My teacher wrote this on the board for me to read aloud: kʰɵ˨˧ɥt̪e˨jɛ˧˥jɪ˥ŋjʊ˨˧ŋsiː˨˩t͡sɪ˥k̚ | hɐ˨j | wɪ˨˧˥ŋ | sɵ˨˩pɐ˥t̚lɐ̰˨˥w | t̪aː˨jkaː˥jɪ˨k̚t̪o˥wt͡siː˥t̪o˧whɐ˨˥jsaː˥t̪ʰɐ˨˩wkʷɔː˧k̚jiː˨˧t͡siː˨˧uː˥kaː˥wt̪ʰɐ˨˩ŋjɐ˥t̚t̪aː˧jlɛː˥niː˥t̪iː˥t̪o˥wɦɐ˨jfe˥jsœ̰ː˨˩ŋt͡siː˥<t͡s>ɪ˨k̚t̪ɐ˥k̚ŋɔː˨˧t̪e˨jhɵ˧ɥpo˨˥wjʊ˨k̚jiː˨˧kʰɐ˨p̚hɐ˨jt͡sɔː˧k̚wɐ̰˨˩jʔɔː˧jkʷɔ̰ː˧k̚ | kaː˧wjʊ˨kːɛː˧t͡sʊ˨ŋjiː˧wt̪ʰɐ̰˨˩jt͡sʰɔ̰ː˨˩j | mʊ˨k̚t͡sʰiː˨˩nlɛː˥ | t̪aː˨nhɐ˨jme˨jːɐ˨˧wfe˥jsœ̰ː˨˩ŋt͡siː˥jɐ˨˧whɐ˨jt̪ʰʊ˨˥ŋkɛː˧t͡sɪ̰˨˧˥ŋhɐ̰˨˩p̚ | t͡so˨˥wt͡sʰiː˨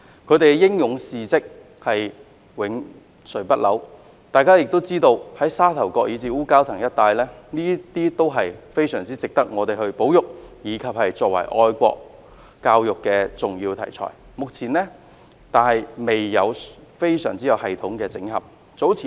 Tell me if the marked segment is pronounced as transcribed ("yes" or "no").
yes